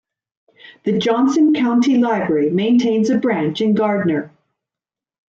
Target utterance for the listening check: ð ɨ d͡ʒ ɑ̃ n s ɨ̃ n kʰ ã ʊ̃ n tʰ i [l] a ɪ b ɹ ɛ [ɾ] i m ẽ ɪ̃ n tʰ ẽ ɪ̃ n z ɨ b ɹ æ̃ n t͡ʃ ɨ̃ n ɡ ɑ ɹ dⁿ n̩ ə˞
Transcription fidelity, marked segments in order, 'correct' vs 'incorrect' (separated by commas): correct, incorrect